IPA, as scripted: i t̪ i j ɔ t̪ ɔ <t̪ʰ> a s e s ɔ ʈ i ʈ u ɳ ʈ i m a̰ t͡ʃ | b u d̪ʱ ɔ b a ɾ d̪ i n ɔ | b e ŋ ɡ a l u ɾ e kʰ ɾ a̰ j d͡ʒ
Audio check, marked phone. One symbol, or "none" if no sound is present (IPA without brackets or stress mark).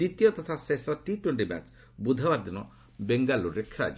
t̪ʰ